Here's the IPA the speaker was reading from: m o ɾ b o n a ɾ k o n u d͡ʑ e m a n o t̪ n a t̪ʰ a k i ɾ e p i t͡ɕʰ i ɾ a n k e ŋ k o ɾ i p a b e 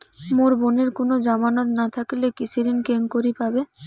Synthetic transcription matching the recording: m o ɾ b o n e ɾ k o n o d͡ʑ a m a n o t̪ n a t̪ʰ a k i l e k i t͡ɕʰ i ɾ i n k e ŋ k o ɾ i p a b e